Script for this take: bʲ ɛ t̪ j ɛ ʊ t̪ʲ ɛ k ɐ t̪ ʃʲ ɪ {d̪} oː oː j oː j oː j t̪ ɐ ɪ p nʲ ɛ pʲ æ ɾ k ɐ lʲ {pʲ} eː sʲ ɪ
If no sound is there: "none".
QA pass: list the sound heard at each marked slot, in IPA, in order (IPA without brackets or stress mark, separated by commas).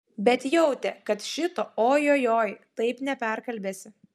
t̪, bʲ